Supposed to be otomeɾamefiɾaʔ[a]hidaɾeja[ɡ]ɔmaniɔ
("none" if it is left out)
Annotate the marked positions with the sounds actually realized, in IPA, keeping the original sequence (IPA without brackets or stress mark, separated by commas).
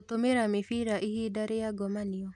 i, ɡ